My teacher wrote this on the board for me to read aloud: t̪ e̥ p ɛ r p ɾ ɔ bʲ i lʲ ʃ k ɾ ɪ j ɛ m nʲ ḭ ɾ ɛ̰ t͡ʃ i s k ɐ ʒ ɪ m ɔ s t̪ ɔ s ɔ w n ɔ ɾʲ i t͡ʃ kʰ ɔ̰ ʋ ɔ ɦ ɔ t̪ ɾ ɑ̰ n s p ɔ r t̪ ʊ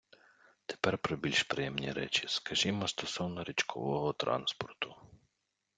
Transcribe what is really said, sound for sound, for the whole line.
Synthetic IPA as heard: t̪ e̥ p ɛ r p ɾ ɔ bʲ i lʲ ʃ p ɾ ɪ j ɛ m nʲ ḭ ɾ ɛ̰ t͡ʃ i s k ɐ ʒ i m ɔ s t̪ ɔ s ɔ w n ɔ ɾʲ i t͡ʃ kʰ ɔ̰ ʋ ɔ ɦ ɔ t̪ ɾ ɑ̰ n s p ɔ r t̪ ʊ

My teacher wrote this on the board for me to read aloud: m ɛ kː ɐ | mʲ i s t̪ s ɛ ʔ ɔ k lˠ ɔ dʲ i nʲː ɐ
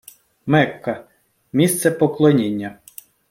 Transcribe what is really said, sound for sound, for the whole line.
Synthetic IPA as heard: m ɛ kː ɐ | mʲ i s t̪ s ɛ p ɔ k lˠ ɔ nʲ i nʲː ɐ

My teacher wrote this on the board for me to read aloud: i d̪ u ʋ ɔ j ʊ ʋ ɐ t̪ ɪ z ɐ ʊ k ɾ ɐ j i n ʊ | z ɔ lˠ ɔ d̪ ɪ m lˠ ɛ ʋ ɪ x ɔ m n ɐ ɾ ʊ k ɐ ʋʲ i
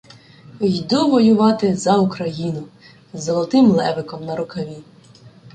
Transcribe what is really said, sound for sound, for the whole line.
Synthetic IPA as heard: j d̪ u ʋ ɔ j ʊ ʋ ɑ t̪ ɪ z ɐ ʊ k ɾ ɐ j i n ʊ | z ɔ lˠ ɔ t̪ ɪ m lˠ ɛ ʋ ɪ k ɔ m n ɐ ɾ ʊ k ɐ ʋʲ i

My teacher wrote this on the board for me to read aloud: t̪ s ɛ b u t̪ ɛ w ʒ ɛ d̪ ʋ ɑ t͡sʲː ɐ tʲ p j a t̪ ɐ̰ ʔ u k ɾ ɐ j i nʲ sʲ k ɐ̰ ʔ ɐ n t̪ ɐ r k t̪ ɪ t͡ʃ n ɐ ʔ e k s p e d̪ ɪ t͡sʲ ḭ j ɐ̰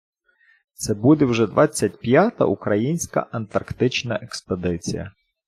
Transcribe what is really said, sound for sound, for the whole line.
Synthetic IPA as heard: t̪ s ɛ b u d̪ ɛ w ʒ ɛ d̪ ʋ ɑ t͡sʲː ɐ tʲ p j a t̪ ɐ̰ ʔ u k ɾ ɐ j i nʲ sʲ k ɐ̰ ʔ ɐ n t̪ ɐ r k t̪ ɪ t͡ʃ n ɐ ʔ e k s p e d̪ ɪ t͡sʲ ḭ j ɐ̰

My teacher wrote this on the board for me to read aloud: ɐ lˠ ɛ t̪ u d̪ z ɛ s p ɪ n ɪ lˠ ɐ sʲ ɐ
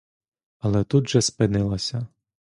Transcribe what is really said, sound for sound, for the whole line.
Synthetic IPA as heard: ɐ lˠ ɛ t̪ u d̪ ʒ ɛ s p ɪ n ɪ lˠ ɐ sʲ ɐ

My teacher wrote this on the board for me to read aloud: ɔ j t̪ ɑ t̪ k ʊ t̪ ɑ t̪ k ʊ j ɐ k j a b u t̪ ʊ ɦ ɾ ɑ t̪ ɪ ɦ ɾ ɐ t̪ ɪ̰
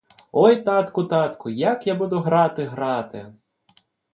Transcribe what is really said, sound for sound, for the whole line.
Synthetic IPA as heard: ɔ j t̪ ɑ t̪ k ʊ t̪ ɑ t̪ k ʊ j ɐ k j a b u d̪ ʊ ɦ ɾ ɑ t̪ ɪ ɦ ɾ ɑ t̪ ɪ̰

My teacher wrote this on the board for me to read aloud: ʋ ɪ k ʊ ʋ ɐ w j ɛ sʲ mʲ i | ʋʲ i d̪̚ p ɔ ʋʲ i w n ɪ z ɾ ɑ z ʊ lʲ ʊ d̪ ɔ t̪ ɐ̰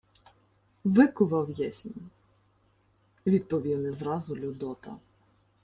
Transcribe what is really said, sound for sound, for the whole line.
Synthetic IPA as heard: ʋ ɪ k ʊ ʋ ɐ w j ɛ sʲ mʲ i | ʋʲ i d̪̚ p ɔ ʋʲ i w n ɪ z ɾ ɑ z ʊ lʲ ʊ d̪ ɔ t̪ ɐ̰

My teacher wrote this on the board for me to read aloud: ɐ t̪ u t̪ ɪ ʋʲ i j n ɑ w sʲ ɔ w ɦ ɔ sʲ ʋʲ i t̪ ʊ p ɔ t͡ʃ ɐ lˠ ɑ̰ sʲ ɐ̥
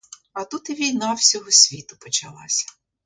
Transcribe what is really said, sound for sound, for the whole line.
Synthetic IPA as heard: ɐ t̪ u t̪ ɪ ʋʲ i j n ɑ w sʲ ɔ ɦ ɔ sʲ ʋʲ i t̪ ʊ p ɔ t͡ʃ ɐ lˠ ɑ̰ sʲ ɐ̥

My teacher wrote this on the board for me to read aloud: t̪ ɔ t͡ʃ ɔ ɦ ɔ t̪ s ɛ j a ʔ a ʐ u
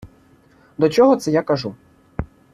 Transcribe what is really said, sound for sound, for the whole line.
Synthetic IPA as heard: d̪ ɔ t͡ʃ ɔ ɦ ɔ t̪ s ɛ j a k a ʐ u

